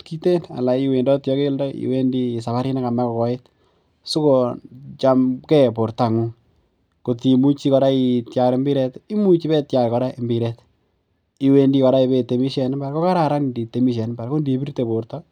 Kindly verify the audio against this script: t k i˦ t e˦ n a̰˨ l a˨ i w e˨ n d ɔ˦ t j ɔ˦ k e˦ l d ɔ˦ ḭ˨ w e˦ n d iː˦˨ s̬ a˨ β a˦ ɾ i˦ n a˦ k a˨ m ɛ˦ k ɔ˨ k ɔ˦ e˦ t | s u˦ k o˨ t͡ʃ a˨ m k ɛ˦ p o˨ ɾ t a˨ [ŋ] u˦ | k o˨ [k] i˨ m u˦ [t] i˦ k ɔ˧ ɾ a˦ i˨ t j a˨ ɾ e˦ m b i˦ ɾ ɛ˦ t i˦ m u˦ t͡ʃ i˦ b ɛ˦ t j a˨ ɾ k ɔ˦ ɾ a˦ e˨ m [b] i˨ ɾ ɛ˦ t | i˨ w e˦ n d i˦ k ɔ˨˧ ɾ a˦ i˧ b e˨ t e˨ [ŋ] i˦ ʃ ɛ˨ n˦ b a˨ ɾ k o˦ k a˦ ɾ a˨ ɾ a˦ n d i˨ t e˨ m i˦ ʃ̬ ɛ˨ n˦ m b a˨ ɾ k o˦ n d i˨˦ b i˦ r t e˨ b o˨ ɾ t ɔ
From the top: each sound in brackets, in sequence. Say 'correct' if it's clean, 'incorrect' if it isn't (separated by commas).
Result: correct, incorrect, incorrect, correct, incorrect